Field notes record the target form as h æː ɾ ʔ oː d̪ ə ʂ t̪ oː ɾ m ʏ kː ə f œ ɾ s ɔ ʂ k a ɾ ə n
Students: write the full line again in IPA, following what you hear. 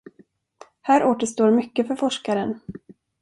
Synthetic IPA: h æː ɾ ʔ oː t̪ ə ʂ t̪ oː ɾ m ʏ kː ə f œ ɾ f ɔ ʂ k a ɾ ə n